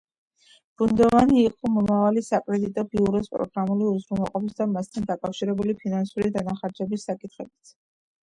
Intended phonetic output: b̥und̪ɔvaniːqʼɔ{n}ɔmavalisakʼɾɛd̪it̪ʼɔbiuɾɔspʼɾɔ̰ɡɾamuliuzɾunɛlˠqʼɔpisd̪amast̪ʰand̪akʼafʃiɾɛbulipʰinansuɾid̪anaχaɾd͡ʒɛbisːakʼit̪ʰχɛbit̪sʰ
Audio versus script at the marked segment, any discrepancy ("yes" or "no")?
yes